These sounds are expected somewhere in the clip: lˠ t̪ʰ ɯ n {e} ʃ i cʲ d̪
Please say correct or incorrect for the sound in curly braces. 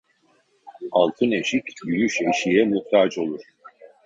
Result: correct